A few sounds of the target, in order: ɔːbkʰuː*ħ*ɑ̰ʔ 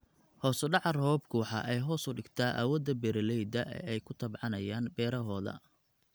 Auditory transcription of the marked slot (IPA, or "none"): ħ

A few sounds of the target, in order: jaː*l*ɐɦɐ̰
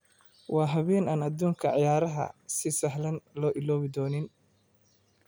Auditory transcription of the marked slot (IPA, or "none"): ɾ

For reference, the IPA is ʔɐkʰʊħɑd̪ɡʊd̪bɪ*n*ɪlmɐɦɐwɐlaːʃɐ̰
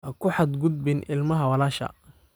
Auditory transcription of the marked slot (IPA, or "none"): n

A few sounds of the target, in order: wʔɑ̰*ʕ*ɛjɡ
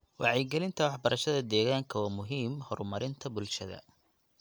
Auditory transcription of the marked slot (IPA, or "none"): ʕ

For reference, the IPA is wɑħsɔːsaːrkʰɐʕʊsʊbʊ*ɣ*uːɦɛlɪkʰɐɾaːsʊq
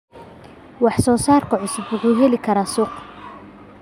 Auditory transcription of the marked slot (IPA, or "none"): ɣ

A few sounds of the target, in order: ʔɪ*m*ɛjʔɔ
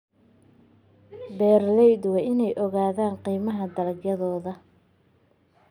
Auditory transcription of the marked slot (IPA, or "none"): n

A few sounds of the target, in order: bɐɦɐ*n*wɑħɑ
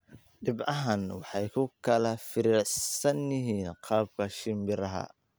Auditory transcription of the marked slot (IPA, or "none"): n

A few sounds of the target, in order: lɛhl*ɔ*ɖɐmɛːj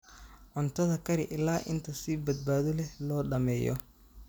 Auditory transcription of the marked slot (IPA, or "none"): ɔː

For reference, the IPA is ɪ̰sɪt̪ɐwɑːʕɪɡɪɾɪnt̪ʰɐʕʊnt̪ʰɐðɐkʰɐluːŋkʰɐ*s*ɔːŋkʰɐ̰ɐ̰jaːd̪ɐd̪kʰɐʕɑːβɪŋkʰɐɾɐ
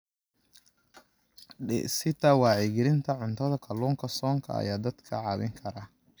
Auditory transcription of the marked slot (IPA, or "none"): s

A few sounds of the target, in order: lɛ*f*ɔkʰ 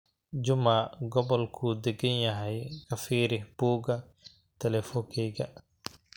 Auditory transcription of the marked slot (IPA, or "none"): f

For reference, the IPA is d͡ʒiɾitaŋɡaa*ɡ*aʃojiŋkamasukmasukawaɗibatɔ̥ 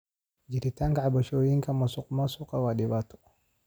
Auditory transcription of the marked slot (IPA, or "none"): b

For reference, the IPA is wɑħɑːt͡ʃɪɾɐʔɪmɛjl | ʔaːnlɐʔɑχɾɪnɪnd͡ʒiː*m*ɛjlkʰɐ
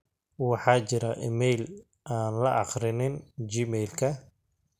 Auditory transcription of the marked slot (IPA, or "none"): m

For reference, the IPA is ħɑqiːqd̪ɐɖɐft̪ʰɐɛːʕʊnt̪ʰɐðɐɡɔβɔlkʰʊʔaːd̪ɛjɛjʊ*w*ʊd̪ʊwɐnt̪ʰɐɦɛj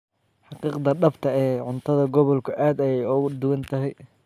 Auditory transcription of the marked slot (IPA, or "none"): ɣ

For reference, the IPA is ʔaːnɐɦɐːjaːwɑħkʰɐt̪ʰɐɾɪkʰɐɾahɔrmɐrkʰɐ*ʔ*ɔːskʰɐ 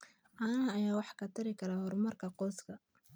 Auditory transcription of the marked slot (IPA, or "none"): q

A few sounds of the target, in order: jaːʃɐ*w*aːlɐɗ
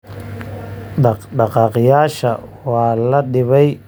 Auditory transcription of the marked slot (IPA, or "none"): w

